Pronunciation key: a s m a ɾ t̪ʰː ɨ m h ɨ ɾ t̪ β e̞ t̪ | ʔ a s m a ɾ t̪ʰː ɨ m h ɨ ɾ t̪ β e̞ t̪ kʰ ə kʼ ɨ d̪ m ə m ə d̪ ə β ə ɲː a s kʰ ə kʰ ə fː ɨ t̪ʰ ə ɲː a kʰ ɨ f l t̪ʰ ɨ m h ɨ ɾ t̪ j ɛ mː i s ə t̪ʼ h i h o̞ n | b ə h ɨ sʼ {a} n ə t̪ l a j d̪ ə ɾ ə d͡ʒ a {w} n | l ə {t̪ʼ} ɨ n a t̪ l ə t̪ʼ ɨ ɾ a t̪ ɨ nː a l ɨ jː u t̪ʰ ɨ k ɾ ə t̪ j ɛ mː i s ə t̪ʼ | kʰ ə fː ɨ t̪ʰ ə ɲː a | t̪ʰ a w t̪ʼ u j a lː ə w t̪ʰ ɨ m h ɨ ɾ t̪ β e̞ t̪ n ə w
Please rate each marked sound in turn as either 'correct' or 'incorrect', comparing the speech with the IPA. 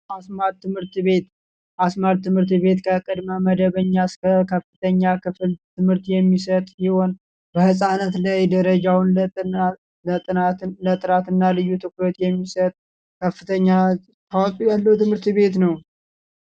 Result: correct, correct, correct

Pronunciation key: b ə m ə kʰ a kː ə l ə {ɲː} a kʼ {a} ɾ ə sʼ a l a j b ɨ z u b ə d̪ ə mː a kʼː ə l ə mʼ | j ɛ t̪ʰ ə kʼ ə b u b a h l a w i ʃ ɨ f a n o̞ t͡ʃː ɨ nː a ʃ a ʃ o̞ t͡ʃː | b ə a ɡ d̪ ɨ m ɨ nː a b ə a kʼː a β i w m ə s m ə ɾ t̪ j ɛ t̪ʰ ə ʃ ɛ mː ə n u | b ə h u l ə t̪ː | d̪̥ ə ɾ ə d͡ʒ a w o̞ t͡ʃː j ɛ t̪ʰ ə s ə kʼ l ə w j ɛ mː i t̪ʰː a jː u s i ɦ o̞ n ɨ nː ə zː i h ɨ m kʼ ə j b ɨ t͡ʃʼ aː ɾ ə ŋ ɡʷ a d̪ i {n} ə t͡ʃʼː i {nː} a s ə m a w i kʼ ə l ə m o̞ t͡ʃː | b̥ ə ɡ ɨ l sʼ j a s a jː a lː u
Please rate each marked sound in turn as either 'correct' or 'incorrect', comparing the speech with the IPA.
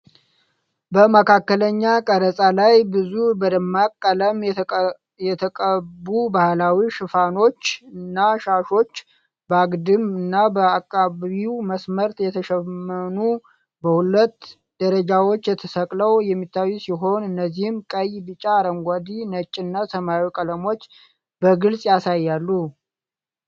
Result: correct, incorrect: ə, correct, correct

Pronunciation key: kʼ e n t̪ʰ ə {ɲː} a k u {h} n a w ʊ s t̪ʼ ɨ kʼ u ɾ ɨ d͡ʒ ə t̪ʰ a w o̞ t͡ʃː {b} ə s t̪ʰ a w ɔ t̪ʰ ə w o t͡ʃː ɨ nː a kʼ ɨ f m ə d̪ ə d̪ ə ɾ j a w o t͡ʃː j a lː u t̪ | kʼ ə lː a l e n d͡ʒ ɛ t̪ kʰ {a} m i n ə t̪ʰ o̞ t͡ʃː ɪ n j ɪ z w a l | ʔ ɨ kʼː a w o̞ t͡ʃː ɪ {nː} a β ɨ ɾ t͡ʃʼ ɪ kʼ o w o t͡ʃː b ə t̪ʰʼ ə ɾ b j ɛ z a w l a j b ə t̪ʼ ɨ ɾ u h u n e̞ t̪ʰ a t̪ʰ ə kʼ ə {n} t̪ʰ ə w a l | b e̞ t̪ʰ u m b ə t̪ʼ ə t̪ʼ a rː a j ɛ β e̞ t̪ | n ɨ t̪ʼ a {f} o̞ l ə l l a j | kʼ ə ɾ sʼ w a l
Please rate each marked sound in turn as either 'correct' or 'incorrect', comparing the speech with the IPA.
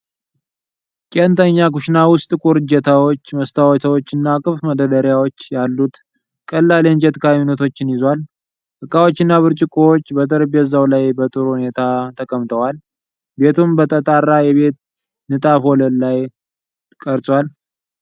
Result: correct, incorrect: ʃ, incorrect: m, correct, correct, incorrect: m, correct

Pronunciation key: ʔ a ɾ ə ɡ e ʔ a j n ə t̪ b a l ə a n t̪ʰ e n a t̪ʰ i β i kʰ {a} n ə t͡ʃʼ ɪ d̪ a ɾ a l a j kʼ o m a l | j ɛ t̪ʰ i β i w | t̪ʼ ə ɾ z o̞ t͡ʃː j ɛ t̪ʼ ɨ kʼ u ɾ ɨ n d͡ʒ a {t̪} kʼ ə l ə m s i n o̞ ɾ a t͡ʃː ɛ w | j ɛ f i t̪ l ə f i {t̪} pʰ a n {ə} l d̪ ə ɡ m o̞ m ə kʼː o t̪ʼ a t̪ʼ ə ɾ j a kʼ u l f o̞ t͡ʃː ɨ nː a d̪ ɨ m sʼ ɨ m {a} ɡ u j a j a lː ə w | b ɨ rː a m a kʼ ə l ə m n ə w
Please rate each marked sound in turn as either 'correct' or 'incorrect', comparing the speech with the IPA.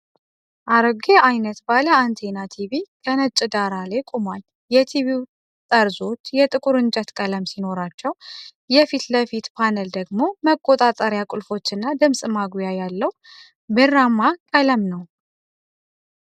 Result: incorrect: ə, correct, correct, correct, correct

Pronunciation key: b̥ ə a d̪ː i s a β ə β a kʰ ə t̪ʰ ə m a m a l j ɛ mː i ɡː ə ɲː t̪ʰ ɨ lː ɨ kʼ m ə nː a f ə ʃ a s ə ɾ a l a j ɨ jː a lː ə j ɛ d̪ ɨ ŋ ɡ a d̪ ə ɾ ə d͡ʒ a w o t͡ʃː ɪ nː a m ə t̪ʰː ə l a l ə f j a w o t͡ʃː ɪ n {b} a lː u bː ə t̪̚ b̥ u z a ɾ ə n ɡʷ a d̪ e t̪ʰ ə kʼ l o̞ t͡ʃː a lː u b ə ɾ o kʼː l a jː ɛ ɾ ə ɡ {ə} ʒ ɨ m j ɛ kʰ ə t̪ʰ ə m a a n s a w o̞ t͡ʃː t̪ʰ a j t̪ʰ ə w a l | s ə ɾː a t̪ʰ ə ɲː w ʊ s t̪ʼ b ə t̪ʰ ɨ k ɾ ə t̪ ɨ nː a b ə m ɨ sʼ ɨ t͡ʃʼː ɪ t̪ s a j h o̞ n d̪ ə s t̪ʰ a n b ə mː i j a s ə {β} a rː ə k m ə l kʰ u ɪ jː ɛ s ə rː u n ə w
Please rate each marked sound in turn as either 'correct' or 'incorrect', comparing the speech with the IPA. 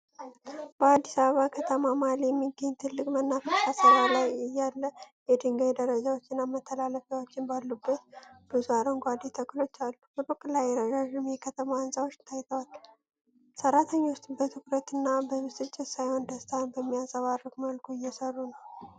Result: correct, incorrect: a, correct

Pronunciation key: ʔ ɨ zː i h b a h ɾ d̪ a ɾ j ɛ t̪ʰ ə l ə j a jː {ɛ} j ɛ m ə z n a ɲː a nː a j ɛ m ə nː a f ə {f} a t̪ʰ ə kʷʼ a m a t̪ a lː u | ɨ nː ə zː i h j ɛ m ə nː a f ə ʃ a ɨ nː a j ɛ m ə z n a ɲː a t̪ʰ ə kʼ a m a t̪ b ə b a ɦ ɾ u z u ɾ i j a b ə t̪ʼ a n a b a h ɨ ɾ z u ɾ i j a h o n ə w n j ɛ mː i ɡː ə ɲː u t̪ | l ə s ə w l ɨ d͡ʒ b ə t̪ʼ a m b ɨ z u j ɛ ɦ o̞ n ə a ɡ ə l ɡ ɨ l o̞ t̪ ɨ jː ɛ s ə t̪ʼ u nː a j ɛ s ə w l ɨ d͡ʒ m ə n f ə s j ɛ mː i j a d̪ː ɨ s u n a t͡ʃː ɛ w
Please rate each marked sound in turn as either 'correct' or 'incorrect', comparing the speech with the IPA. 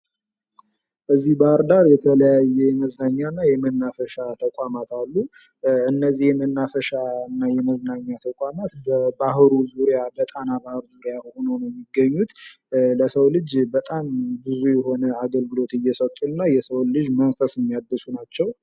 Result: correct, incorrect: ʃ

